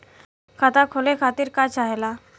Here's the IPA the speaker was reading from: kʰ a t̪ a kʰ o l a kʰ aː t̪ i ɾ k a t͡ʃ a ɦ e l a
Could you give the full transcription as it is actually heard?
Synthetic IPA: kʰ a t̪ a kʰ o l e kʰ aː t̪ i ɾ k a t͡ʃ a ɦ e l a

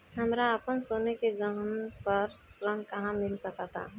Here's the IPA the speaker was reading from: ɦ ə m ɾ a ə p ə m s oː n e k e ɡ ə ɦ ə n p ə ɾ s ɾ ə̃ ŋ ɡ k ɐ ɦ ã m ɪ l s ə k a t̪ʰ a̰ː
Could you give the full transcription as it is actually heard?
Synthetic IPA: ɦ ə m ɾ a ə p ə n s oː n e k e ɡ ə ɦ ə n p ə ɾ s ɾ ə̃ ŋ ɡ k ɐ ɦ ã m ɪ l s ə k a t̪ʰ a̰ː

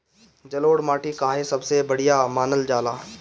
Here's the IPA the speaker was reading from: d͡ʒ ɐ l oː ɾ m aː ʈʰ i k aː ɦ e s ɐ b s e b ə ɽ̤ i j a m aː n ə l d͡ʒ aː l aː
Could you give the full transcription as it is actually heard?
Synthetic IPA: d͡ʒ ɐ l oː ɽ m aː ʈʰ i k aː ɦ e s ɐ b s e b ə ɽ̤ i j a m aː n ə l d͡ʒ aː l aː

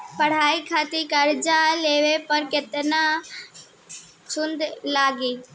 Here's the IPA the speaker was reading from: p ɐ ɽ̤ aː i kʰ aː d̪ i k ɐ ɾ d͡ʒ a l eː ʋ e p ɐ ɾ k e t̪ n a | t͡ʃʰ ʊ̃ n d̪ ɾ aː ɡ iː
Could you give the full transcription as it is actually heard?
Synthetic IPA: p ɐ ɽ̤ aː i kʰ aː t̪ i k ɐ ɾ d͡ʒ a l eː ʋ e p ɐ ɾ k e t̪ n a | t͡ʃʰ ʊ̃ n d̪ l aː ɡ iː

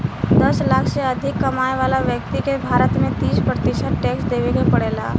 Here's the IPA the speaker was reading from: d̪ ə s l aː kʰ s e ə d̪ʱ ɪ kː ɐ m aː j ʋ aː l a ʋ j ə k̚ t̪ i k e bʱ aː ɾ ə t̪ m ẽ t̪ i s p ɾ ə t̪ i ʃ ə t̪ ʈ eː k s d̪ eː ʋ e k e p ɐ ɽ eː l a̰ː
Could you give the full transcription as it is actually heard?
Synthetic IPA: d̪ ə s l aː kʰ s e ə d̪ʱ ɪ kː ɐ m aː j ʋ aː l a ʋ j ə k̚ t̪ i k e bʱ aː ɾ ə t̪ m ẽ t̪ iː s p ɾ ə t̪ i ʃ ə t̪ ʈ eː k s d̪ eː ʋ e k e p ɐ ɽ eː l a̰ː

